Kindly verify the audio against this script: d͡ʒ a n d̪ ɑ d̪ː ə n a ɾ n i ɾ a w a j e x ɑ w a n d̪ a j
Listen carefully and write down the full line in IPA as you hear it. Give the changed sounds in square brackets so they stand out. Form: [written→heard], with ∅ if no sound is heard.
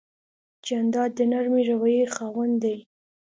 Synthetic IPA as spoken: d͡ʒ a n d̪ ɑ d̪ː ə n a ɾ [n→m] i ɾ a w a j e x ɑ w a n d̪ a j